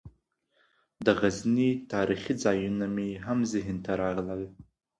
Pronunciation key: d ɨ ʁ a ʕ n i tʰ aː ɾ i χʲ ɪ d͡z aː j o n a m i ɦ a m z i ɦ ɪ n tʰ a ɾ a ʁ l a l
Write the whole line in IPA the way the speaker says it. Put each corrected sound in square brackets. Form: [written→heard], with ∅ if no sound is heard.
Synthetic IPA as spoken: d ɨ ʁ a [ʕ→z] n i tʰ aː ɾ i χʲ [ɪ→i] d͡z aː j [o→u] n a m i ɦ a m z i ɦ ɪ n tʰ a ɾ a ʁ l a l